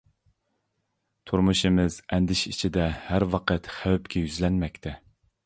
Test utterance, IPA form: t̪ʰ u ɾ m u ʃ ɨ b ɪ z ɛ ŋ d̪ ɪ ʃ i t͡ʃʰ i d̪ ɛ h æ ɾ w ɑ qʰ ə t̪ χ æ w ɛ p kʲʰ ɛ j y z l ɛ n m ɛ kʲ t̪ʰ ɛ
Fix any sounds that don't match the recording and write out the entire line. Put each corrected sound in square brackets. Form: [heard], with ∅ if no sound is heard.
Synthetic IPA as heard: t̪ʰ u ɾ m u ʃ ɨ [m] ɪ z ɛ [n] d̪ ɪ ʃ i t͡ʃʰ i d̪ ɛ h æ ɾ w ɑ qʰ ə t̪ χ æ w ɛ p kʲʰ ɛ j y z l ɛ n m ɛ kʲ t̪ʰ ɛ